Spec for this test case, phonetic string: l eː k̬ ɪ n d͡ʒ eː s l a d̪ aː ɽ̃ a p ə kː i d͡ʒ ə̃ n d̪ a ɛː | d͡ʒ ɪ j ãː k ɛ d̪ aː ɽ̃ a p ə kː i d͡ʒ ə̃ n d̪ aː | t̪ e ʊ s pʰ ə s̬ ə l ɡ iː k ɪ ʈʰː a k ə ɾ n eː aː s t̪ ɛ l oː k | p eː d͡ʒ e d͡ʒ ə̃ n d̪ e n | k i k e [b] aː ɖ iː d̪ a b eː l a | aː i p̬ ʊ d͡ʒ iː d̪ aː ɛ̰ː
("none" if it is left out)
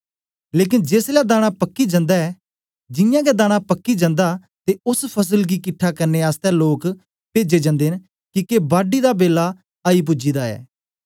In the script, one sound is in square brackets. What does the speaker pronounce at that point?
b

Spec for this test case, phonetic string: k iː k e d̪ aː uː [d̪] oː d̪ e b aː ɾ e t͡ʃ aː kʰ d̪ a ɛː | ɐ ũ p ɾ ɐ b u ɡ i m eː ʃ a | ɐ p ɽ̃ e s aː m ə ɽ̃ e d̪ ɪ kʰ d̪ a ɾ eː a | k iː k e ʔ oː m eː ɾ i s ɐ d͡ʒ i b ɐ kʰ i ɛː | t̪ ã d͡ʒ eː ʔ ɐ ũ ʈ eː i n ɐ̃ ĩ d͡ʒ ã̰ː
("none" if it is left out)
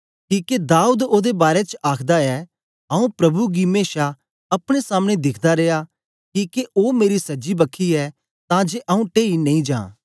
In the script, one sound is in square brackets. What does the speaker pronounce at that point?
d̪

